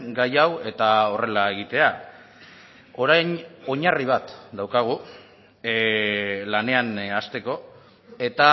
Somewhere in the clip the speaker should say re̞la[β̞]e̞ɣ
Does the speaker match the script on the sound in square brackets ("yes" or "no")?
no